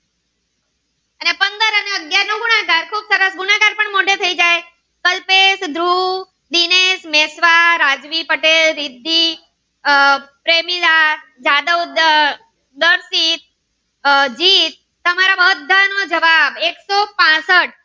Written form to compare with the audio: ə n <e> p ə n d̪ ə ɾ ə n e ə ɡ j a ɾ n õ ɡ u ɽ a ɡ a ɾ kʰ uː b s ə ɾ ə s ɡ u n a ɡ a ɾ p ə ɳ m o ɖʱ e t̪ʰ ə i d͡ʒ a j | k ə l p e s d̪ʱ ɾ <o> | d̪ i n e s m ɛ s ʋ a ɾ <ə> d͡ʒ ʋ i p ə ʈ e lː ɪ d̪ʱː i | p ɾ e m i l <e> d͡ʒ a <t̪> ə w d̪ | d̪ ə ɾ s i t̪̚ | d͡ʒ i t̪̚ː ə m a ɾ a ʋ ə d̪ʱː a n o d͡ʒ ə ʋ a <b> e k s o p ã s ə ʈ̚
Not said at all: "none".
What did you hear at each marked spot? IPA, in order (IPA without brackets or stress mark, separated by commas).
e, u, a, a, d̪, b